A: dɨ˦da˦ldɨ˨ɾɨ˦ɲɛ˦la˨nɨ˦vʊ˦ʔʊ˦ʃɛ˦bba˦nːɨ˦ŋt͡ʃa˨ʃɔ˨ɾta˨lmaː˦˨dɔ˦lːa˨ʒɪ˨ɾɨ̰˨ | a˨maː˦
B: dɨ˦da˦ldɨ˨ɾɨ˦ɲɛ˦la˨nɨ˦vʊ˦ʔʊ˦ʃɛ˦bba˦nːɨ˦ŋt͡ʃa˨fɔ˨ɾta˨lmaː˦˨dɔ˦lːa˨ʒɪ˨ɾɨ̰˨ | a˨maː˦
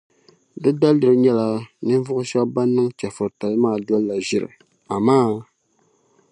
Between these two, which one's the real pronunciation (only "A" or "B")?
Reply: B